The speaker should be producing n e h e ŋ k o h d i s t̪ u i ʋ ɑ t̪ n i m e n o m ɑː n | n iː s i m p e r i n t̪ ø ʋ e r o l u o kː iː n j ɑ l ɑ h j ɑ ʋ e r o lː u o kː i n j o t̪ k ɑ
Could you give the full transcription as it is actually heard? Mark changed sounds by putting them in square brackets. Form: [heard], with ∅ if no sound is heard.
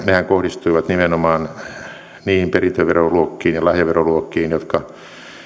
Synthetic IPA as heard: n e h [æ] ŋ k o h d i s t̪ u i ʋ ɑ t̪ n i m e n o m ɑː n | n iː [h] i m p e r i n t̪ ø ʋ e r o l u o kː iː n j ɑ l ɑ h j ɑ ʋ e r o [l] u o kː [iː] n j o t̪ k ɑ

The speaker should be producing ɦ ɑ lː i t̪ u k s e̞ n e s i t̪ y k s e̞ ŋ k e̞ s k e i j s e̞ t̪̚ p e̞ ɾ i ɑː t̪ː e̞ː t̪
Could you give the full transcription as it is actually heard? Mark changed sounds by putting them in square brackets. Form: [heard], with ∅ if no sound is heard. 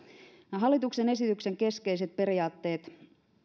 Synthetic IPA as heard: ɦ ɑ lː i t̪ u k s e̞ n e s i t̪ y k s e̞ ŋ k e̞ s k e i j s e̞ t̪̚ p e̞ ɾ i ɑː t̪ː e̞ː t̪

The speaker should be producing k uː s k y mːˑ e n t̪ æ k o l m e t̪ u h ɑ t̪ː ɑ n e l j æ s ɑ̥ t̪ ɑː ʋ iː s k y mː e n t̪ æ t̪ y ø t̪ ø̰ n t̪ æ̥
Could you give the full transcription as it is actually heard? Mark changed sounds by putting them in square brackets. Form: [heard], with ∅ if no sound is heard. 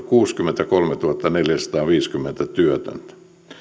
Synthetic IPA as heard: k uː s k y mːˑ e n t̪ æ k o l m e t̪ u h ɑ t̪ː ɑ n e l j æ s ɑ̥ t̪ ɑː ʋ iː s k y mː e n t̪ æ t̪ y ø t̪ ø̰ n t̪ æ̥

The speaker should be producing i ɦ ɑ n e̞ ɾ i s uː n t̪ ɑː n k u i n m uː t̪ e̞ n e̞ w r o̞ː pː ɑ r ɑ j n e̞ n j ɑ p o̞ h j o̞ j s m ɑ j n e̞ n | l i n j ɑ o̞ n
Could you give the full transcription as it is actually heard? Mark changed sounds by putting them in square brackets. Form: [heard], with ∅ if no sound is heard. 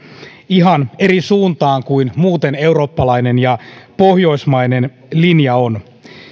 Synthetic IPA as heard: i ɦ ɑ n e̞ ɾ i s uː n t̪ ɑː [ŋ] k u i n m uː t̪ e̞ n e̞ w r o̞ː pː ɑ [l] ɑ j n e̞ n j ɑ p o̞ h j o̞ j s m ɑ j n e̞ n | l i n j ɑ o̞ n

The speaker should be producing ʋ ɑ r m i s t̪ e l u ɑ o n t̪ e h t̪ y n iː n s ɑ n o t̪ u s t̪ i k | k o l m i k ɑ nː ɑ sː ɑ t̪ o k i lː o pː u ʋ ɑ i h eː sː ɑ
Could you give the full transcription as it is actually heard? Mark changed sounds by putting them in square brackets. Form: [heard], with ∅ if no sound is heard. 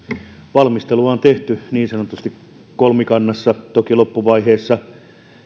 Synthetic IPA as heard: ʋ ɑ [l] m i s t̪ e l u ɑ o n t̪ e h t̪ y n iː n s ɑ n o t̪ u s t̪ i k | k o l m i k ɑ nː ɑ sː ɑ t̪ o k i [l] o pː u ʋ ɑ i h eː sː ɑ

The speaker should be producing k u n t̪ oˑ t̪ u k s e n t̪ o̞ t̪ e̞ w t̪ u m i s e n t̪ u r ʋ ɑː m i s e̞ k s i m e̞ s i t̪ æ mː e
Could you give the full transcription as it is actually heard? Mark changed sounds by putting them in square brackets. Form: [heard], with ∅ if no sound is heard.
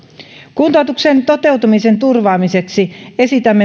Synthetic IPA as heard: k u n t̪ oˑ t̪ u k s e n t̪ o̞ t̪ e̞ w t̪ u m i s e n t̪ u r ʋ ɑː m i s e̞ k s i [∅] e̞ s i t̪ æ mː e

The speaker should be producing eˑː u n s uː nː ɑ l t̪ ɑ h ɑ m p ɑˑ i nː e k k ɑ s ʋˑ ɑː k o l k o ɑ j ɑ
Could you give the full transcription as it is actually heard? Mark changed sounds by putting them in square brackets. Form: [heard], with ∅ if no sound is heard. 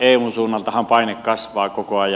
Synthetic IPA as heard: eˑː u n s uː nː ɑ l t̪ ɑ h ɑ m p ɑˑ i [n] e k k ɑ s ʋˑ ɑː k o [∅] k o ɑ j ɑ

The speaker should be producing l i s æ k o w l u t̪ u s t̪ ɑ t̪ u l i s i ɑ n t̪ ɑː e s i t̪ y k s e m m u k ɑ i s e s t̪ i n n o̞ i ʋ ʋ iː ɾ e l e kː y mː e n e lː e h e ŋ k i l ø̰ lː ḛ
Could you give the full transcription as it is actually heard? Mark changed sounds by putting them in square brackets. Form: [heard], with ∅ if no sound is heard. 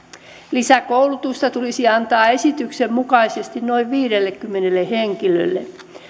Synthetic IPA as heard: l i s æ k o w l u t̪ u s t̪ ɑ t̪ u l i s i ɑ n t̪ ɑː e s i t̪ y k s e m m u k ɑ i s e s t̪ i n n o̞ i ʋ ʋ iː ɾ e [lː] e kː y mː e n e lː e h e ŋ k i l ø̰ lː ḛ

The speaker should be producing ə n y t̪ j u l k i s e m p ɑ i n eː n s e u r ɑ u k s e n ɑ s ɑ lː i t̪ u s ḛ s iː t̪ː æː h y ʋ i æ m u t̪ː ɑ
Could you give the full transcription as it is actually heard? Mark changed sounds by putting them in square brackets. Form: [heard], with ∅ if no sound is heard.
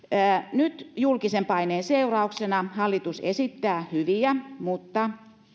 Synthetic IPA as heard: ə n y t̪ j u l k i s e m p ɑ i n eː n s e u r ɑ u k s e n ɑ [h] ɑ lː i t̪ u s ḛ s [i] t̪ː æː h y ʋ i æ m u t̪ː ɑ

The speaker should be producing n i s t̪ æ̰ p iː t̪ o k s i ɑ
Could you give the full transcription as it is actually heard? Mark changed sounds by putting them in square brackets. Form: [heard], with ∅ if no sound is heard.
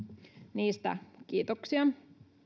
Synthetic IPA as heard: n [iː] s t̪ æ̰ [k] iː t̪ o k s i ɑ

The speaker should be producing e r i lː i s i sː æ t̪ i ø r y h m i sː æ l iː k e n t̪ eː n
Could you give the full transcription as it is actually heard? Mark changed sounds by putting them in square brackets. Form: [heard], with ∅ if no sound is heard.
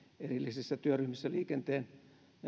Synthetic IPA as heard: e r i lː i s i sː æ t̪ [y] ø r y h m i sː æ l iː k e n t̪ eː n

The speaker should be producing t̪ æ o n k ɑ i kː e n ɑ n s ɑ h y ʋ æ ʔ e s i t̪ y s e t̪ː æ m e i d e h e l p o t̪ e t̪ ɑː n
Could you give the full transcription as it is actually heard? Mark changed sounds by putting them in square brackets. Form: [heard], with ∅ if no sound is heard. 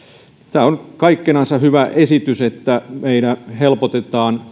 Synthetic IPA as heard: t̪ [æː] o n k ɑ i kː e n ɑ n s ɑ h y ʋ æ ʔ e s i t̪ y s e t̪ː æ m e i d [æ] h e l p o t̪ e t̪ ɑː n

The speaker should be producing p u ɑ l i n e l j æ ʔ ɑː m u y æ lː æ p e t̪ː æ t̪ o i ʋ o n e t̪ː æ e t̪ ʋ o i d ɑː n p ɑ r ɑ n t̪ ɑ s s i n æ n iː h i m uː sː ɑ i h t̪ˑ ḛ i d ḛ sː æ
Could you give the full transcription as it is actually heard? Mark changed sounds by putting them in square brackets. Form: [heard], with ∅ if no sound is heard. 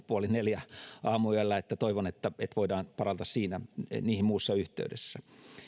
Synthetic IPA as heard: p u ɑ l i n e l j æ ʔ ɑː m u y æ lː æ [∅] e t̪ː æ t̪ o i ʋ o n e t̪ː æ e t̪ ʋ o i d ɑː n p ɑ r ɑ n t̪ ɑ s s [iː] n æ n iː h i m uː sː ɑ [y] h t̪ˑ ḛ [y] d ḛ sː æ

